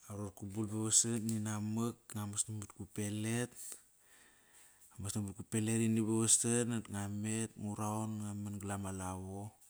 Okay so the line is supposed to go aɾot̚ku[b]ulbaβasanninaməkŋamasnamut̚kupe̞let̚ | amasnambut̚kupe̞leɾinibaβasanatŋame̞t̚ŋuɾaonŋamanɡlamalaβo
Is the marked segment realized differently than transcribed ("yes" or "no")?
no